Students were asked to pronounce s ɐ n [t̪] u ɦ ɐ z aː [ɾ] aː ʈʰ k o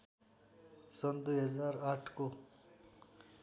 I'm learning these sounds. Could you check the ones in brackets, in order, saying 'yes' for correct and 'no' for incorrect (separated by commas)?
no, yes